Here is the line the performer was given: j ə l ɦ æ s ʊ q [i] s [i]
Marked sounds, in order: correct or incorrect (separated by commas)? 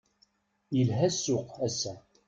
incorrect, incorrect